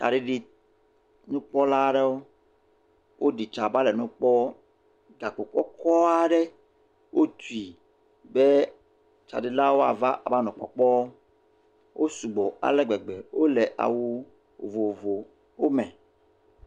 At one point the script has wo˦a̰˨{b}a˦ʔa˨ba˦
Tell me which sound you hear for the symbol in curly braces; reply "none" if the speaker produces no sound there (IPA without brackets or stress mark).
v